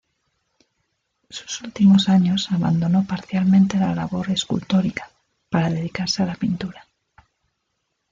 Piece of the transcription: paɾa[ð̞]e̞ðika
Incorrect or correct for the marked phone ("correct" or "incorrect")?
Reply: correct